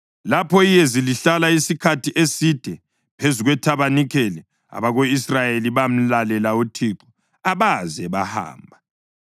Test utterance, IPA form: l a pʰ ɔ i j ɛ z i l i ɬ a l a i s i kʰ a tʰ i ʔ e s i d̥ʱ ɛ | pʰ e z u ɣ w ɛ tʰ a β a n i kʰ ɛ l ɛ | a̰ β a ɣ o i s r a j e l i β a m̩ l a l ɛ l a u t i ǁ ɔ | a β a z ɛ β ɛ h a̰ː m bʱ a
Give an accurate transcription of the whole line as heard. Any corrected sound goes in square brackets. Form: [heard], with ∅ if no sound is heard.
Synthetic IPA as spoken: l a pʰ ɔ i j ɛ z i l i ɬ a l a i s i kʰ a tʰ i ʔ e s i d̥ʱ ɛ | pʰ e z u ɣ w ɛ tʰ a β a n i kʰ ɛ l ɛ | a̰ β a ɣ o i s r a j e l i β a m̩ l a l ɛ l a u [tʰ] i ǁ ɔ | a β a z ɛ β [a] h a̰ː m bʱ a